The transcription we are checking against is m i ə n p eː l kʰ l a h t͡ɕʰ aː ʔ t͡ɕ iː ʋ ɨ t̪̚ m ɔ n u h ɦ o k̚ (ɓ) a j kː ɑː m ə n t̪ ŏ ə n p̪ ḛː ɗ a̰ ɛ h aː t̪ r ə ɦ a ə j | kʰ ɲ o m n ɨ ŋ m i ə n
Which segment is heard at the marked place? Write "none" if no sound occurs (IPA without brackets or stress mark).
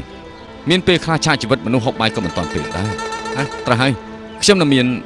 ɓ